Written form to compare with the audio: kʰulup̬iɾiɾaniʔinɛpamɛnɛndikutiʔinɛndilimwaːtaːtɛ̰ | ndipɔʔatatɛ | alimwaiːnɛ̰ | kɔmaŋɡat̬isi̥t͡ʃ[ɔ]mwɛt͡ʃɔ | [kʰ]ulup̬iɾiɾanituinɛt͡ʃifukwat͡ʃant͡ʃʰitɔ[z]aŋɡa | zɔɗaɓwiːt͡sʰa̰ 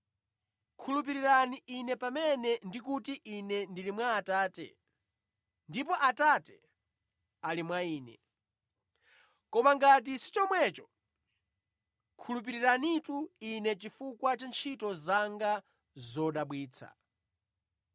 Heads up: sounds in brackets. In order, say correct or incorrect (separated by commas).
correct, correct, correct